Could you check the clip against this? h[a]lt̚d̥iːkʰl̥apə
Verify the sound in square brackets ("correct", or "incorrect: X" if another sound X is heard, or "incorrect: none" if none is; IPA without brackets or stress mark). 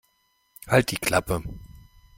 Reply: correct